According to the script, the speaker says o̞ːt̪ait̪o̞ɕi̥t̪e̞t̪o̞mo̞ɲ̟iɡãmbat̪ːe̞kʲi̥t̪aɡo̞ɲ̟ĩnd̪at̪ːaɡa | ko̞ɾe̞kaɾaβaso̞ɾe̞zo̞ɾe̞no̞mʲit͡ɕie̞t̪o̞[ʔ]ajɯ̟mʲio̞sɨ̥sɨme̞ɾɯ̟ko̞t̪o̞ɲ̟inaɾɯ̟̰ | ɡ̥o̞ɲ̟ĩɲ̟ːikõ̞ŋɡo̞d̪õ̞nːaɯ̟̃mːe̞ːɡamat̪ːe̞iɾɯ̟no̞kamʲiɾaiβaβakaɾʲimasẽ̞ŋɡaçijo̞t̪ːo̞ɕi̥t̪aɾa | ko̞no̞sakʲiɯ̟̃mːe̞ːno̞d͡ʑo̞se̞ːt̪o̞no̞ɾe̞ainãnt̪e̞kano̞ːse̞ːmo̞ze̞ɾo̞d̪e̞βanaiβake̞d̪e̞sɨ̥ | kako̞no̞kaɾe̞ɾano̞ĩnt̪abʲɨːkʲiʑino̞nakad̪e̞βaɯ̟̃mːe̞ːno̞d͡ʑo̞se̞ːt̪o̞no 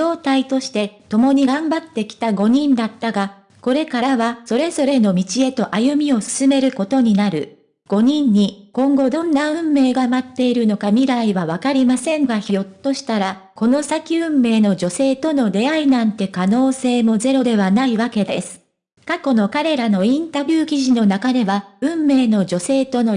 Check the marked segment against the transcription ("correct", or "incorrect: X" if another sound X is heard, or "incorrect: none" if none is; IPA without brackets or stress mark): correct